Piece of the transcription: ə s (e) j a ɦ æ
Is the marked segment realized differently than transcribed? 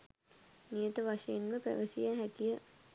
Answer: yes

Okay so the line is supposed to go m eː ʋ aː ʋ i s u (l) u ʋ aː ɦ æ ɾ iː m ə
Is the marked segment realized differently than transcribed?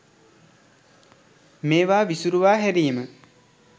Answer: yes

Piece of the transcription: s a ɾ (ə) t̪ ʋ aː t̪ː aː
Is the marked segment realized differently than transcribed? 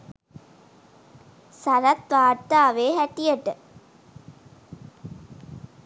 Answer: yes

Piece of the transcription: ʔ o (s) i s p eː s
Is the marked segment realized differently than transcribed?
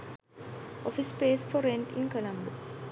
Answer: yes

